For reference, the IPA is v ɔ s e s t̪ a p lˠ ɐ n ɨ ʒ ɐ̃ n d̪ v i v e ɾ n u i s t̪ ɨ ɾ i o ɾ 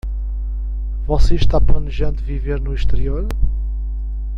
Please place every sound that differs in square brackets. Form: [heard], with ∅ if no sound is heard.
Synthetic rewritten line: v ɔ s e [ʃ] t̪ a p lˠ ɐ n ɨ ʒ ɐ̃ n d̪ v i v e ɾ n u i [ʃ] t̪ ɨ ɾ i o ɾ